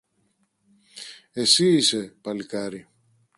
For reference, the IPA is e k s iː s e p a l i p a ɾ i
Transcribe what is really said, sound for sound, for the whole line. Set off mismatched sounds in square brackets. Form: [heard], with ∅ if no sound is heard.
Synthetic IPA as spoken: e [∅] s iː s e p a l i [k] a ɾ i

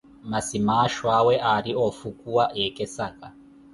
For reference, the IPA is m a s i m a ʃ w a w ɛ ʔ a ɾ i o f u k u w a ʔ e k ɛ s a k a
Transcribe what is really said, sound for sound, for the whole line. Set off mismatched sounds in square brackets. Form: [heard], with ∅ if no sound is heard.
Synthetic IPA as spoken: m a s i m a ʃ w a w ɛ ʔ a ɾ i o f u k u w a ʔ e k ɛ s a k a

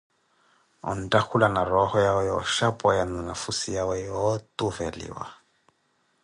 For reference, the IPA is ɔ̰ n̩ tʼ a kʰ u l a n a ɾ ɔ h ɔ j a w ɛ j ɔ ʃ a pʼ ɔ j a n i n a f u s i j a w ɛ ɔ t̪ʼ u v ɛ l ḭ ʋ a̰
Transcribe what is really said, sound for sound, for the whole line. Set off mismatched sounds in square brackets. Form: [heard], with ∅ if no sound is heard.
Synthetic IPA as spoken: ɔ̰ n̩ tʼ a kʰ u l a n a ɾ ɔ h ɔ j a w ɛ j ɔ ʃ a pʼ ɔ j a n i n a f u s i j a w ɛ ɔ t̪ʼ u v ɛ l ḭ [w] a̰

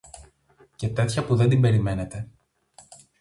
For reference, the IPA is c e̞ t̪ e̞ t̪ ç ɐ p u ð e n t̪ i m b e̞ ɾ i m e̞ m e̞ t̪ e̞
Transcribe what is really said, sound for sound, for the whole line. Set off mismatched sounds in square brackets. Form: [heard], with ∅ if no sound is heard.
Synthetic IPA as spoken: c e̞ t̪ e̞ t̪ ç ɐ p u ð e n [d̪] i m b e̞ ɾ i m e̞ [n] e̞ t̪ e̞

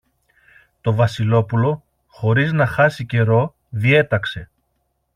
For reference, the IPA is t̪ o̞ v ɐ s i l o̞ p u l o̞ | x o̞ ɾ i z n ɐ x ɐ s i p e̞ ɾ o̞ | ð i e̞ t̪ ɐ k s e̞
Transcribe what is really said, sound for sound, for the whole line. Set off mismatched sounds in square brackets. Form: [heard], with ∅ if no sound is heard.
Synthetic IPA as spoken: t̪ o̞ v ɐ s i l o̞ p u l o̞ | x o̞ ɾ i z n ɐ x ɐ s i [c] e̞ ɾ o̞ | ð i e̞ t̪ ɐ k s e̞

